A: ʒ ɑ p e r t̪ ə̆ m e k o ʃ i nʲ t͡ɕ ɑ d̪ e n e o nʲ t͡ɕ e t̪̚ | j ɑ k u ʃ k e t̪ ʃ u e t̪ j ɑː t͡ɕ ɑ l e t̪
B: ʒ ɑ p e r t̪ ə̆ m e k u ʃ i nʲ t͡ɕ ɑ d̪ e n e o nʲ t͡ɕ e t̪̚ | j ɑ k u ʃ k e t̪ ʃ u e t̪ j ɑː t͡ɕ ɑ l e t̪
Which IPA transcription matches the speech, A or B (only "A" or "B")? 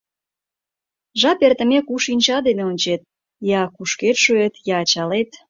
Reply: B